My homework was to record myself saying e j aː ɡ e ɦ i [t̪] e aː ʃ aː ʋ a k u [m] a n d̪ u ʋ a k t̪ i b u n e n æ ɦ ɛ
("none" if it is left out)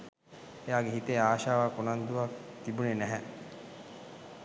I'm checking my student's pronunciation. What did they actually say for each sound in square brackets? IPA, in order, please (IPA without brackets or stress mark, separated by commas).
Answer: t̪, n